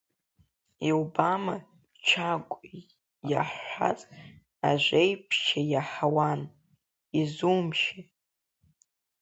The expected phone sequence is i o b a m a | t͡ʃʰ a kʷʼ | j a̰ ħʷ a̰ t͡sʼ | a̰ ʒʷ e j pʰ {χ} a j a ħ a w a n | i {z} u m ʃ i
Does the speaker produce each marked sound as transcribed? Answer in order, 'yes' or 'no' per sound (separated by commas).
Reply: no, yes